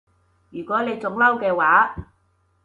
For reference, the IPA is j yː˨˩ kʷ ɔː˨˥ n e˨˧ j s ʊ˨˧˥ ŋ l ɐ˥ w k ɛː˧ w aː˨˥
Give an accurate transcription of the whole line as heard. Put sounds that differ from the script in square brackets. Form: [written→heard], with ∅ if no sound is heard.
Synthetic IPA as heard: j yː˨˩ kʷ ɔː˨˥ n e˨˧ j [s→t͡s] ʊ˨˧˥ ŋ l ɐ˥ w k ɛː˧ w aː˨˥